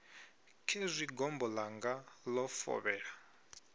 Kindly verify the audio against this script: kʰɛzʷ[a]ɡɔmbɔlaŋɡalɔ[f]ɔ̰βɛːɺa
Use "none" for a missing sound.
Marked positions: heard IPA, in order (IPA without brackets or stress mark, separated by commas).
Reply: i, f